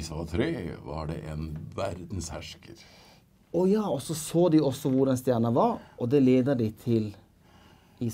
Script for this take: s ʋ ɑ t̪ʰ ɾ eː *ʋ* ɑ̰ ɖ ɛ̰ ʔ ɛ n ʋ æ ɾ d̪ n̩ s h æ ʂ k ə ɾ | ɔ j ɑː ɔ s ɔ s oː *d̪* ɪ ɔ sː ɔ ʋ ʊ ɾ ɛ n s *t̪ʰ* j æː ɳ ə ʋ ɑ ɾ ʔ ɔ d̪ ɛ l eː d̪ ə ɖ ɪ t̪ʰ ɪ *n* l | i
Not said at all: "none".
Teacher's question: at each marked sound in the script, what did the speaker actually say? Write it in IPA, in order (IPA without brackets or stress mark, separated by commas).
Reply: ʋ, d̪, t̪, none